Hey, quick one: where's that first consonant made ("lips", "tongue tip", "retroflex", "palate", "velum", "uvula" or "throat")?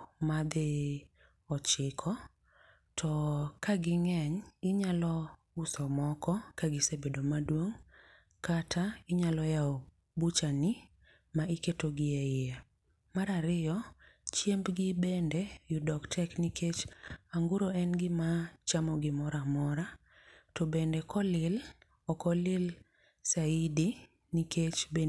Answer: lips